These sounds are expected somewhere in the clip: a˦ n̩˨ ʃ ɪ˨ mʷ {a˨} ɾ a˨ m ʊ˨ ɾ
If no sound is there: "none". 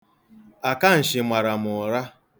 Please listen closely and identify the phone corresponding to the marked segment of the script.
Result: a˨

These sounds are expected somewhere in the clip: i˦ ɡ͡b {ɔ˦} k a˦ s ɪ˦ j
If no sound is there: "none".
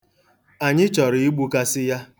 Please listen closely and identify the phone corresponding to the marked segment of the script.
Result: u˦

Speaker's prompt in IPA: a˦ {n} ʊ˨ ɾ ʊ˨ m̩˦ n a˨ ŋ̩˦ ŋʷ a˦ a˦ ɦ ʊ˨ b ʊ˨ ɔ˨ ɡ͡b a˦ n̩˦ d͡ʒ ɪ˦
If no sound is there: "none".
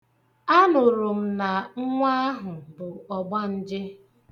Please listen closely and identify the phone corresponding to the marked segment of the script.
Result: n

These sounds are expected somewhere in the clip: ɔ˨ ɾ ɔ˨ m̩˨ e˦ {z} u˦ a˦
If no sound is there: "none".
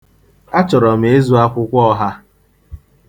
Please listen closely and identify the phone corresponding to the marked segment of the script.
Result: z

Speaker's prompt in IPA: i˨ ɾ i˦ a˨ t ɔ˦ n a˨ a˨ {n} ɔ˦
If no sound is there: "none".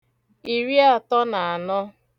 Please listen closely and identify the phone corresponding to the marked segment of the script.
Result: n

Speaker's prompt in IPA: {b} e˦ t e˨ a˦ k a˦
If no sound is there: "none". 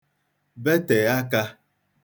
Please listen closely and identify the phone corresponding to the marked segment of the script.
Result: b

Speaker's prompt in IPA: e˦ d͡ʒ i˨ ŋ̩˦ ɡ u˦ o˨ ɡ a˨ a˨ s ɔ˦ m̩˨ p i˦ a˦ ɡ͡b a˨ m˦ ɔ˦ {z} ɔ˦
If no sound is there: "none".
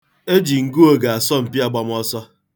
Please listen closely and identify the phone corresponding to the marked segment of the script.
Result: s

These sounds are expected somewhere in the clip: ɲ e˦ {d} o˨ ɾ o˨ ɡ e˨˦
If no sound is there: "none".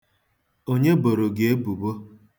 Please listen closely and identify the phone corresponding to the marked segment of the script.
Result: b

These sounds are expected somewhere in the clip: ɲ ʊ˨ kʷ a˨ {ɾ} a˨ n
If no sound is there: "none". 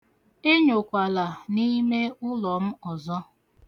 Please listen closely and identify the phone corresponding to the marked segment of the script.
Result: l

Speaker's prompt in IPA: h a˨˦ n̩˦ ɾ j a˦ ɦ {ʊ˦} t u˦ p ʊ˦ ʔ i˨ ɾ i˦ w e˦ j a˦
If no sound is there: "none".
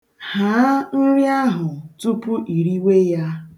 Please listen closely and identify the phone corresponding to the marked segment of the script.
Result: ʊ˨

